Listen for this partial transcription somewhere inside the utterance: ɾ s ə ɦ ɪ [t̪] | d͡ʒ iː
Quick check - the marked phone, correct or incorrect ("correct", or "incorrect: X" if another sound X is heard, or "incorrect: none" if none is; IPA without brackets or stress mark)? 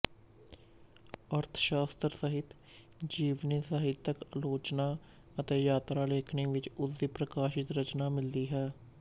correct